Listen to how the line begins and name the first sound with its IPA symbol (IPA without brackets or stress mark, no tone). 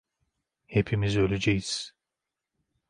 h